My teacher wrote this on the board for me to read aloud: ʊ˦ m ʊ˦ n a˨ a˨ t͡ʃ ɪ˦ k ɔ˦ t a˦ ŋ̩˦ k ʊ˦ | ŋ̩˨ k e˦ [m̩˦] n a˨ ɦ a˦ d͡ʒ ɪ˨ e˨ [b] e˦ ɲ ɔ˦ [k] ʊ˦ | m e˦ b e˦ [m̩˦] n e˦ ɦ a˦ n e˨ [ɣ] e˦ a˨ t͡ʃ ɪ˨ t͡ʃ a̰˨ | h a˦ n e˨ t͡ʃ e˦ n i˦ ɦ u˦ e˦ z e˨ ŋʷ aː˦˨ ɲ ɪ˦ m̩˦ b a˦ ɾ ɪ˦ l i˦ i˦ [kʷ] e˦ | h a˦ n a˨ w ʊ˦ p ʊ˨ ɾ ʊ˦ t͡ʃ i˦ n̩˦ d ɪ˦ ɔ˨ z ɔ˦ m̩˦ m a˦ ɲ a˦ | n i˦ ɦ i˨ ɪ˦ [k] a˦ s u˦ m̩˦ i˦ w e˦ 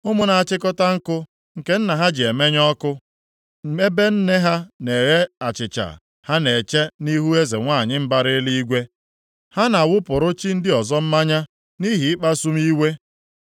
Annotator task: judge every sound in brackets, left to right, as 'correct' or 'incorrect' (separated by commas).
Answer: incorrect, incorrect, correct, incorrect, correct, incorrect, incorrect